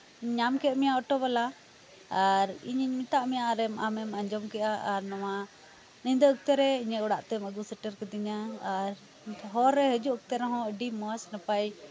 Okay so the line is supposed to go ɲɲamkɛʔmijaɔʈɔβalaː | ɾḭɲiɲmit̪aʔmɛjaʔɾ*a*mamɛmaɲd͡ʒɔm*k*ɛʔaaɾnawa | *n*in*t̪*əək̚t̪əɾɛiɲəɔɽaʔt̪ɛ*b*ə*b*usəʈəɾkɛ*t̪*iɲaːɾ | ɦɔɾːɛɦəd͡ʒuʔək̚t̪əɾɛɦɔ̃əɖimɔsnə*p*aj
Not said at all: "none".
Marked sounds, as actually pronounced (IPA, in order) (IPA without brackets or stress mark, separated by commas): ɛ, k, n, d̪, m, ɡ, d̪, p